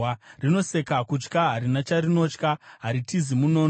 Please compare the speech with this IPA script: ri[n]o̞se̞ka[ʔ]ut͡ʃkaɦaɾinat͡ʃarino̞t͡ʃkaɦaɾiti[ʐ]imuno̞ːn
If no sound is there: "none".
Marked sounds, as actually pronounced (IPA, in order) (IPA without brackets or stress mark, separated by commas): n, k, z